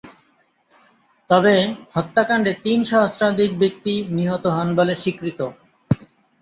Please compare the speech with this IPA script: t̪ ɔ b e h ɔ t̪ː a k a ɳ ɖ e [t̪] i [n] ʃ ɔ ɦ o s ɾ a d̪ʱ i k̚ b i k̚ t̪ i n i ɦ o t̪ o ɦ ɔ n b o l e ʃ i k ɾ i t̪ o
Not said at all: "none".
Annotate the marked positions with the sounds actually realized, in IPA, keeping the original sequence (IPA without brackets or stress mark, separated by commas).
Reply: t̪, n